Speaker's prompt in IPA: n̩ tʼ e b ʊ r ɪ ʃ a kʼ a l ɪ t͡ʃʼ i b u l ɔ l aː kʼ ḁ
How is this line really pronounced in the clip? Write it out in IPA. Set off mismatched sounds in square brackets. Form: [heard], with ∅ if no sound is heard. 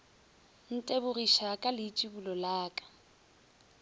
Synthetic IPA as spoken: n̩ tʼ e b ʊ r [i] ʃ a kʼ a l ɪ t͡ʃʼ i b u l ɔ l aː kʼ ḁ